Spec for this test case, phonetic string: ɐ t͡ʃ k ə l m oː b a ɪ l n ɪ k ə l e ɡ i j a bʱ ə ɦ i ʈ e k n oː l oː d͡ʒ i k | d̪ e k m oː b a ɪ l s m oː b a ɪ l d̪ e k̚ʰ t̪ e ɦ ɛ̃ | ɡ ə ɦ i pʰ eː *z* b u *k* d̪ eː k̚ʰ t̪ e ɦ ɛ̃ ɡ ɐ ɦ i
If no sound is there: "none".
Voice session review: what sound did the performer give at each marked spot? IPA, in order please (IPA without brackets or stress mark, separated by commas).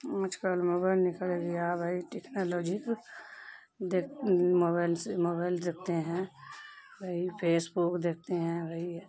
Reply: s, k